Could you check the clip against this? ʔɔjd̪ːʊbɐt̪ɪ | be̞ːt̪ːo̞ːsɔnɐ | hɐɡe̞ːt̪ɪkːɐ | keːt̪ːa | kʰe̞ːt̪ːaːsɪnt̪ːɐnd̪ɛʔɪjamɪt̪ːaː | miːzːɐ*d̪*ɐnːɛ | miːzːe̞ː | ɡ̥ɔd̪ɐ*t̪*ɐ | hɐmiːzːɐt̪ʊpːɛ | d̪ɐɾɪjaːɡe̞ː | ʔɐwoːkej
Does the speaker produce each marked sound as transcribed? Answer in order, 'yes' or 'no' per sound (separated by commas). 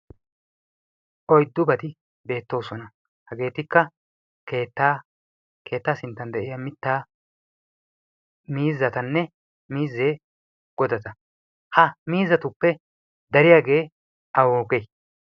no, yes